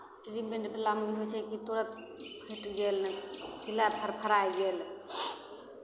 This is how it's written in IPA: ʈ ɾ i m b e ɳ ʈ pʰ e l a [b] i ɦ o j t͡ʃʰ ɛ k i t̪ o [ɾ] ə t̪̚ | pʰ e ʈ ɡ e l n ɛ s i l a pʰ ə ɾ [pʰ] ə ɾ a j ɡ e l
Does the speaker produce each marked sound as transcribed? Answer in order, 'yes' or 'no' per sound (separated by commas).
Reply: no, yes, yes